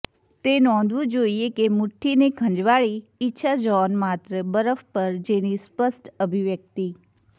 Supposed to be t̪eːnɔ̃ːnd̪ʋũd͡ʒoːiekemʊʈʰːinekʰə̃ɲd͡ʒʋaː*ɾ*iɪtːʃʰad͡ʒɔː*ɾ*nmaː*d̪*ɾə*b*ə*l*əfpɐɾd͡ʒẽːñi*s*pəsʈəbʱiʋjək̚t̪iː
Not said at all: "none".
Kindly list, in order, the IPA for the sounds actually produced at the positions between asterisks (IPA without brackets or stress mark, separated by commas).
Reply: ɭ, none, t̪, b, ɾ, s